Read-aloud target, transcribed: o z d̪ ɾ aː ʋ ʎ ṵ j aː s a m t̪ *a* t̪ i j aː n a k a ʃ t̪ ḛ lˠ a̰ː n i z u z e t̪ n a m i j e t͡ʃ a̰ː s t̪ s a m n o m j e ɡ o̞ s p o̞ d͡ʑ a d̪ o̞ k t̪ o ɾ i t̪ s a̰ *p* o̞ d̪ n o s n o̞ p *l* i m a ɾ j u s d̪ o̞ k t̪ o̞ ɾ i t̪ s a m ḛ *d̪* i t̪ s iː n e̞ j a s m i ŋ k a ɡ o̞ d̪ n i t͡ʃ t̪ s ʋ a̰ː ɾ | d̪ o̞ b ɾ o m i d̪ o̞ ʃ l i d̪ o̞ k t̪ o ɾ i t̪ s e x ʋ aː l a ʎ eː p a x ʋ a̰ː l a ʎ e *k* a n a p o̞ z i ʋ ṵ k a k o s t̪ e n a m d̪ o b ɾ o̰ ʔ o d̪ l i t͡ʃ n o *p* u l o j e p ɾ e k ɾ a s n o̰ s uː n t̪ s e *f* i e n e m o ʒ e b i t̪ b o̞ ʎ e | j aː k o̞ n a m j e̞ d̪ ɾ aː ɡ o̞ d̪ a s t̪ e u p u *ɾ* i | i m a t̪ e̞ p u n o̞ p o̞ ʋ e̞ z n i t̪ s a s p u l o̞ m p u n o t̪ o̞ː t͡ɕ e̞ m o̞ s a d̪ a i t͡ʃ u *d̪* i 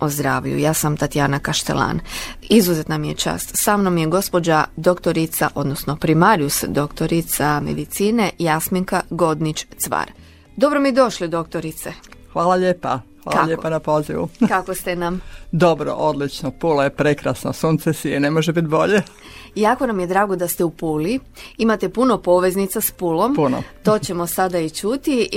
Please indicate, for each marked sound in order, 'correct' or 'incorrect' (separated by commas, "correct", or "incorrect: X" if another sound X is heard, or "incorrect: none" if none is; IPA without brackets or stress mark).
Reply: correct, incorrect: ʔ, incorrect: ɾ, correct, incorrect: p, correct, incorrect: s, incorrect: l, incorrect: t̪